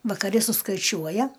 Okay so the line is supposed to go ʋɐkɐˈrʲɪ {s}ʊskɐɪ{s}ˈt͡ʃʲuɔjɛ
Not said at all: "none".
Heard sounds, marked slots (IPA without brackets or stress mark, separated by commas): s, none